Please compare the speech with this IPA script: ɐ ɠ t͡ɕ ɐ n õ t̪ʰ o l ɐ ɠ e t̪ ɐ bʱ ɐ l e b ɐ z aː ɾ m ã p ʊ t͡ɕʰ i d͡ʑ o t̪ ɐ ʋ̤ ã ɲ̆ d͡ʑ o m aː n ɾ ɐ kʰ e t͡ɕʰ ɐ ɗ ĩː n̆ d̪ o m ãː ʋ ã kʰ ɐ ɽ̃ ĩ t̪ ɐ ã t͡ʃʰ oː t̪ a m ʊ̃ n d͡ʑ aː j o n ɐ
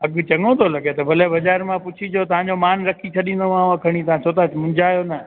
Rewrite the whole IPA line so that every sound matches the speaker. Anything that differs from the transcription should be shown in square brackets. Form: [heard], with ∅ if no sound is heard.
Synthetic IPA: ɐ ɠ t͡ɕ ɐ [ŋ] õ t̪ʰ o l ɐ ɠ e t̪ ɐ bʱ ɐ l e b ɐ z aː ɾ m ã p ʊ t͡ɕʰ i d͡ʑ o t̪ ɐ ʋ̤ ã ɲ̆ d͡ʑ o m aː n ɾ ɐ kʰ [i] t͡ɕʰ ɐ ɗ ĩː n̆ d̪ o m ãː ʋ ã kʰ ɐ ɽ̃ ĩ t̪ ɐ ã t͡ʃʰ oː t̪ a m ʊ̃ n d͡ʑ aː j o n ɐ